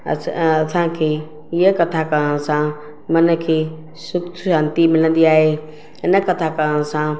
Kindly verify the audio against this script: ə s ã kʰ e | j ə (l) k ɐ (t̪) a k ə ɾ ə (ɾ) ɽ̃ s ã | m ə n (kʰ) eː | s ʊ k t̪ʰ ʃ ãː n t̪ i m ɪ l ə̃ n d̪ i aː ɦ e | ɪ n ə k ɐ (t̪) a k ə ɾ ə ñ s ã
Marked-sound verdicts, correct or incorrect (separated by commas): incorrect, incorrect, incorrect, correct, incorrect